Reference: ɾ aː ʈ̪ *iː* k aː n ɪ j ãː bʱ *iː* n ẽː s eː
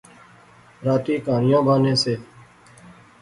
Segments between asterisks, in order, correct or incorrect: correct, incorrect: aː

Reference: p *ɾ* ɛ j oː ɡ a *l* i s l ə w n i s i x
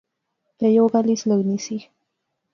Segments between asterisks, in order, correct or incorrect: correct, correct

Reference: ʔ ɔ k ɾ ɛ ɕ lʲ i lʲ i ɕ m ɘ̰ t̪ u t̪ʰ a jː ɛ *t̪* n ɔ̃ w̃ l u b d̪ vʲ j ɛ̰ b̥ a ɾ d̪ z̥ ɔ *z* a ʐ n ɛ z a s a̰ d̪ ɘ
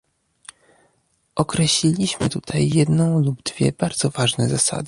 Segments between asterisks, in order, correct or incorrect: incorrect: d̪, incorrect: v

